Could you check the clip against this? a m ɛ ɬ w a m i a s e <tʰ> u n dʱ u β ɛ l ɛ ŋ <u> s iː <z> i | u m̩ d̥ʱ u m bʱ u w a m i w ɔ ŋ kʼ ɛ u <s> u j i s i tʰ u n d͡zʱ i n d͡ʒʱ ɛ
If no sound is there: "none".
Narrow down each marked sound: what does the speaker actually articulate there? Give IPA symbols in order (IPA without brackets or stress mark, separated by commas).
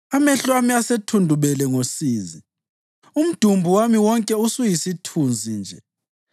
tʰ, o, z, s